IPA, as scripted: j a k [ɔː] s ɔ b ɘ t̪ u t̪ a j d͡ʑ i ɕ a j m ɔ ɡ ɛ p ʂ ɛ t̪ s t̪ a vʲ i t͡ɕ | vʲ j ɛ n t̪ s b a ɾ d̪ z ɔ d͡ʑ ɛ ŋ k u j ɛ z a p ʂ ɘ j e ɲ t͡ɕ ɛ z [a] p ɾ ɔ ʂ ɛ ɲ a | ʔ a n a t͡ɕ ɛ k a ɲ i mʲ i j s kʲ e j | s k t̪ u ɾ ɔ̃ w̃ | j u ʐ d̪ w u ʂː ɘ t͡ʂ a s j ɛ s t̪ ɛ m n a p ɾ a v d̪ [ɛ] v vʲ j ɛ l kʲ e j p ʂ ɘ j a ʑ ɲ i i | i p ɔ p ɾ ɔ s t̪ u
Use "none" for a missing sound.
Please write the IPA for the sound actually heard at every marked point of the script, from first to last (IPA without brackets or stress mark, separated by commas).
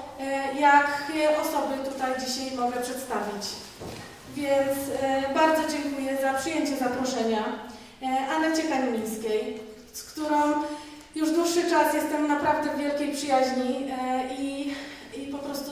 ɔ, a, ɛ